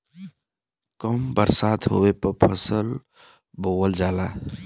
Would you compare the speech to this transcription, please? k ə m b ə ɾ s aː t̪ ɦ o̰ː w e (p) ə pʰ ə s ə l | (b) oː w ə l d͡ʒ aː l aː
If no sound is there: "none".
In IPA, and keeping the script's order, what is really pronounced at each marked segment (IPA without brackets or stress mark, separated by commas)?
p, b